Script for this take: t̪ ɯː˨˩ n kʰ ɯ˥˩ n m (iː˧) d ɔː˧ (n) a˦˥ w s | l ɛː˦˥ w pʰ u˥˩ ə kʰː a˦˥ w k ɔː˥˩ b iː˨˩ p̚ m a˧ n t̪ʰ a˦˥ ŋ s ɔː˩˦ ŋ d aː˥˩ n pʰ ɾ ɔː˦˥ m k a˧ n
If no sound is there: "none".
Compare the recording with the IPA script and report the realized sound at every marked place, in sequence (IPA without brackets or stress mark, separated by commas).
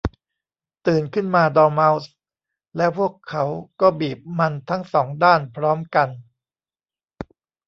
aː˧, m